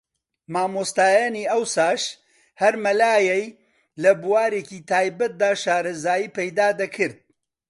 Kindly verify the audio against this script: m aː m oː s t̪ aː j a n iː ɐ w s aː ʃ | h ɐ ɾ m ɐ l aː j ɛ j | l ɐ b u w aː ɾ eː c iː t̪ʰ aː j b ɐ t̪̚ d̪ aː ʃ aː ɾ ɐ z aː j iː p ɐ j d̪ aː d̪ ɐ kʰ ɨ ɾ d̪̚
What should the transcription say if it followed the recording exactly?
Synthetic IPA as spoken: m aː m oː s t̪ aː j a n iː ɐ w s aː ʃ | h ɐ ɾ m ɐ l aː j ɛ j | l ɐ b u w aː ɾ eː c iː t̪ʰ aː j b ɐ t̪̚ d̪ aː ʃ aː ɾ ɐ z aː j iː p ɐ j d̪ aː d̪ ɐ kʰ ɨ ɾ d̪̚